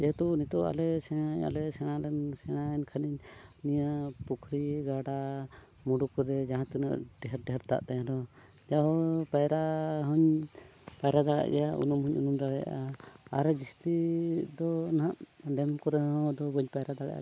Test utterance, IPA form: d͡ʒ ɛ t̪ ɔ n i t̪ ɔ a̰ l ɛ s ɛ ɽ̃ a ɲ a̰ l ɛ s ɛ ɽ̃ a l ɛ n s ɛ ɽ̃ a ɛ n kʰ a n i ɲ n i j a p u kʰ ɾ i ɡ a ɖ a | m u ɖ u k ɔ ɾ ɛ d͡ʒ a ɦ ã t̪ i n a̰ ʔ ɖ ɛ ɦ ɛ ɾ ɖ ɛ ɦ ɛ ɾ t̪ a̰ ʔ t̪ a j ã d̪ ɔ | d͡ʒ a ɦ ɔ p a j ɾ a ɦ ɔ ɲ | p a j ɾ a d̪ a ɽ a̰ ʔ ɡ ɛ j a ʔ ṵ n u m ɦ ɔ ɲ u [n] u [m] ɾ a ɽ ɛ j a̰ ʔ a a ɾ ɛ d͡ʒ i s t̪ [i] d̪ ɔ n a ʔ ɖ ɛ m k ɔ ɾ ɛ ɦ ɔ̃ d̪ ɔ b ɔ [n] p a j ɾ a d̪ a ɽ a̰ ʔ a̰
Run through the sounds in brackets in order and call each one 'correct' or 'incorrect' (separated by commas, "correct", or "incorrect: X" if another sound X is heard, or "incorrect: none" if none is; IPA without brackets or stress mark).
correct, correct, correct, incorrect: ɲ